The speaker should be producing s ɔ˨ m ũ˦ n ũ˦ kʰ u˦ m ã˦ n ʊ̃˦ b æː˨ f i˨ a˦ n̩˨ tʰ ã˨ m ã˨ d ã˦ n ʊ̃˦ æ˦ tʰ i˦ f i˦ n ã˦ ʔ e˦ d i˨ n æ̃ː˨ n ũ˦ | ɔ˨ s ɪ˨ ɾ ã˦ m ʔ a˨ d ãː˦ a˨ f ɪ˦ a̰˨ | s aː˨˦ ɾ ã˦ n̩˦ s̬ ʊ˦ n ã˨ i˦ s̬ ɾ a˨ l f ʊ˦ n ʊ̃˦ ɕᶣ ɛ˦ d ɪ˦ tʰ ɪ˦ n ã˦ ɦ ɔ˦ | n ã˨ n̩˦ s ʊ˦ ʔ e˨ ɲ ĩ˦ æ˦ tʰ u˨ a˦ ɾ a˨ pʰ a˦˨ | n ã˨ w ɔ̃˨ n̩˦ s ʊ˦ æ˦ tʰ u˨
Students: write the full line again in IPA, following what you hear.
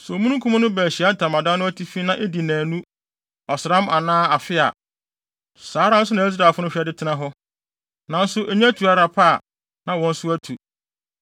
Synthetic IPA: s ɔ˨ m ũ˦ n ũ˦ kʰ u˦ m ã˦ n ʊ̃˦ b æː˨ ɕ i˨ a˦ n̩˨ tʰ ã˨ m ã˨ d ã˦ n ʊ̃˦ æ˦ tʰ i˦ f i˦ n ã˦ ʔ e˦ d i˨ n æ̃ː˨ n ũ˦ | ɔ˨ s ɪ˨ ɾ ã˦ m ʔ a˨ n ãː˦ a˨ f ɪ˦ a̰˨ | s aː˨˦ ɾ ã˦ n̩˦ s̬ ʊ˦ n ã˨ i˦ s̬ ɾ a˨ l f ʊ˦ n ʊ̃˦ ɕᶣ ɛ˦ d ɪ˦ tʰ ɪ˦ n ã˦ ɦ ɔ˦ | n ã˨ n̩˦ s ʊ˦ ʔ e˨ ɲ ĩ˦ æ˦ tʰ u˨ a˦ ɾ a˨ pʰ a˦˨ | n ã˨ w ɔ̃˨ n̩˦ s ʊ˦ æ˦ tʰ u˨